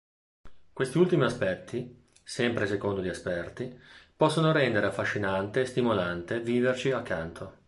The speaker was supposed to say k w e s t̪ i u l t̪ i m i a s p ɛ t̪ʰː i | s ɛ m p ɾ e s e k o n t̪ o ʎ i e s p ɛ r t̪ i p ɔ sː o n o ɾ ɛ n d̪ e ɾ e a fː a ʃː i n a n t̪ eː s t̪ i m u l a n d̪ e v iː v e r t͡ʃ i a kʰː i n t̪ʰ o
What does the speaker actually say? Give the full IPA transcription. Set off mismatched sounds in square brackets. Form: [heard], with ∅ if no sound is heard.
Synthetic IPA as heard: k w e s t̪ i u l t̪ i m i a s p ɛ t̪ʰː i | s ɛ m p ɾ e s e k o n [d̪] o ʎ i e s p ɛ r t̪ i p ɔ sː o n o ɾ ɛ n d̪ e ɾ e a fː a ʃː i n a n t̪ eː s t̪ i m [o] l a n [t̪] e v iː v e r t͡ʃ i a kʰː [a] n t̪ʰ o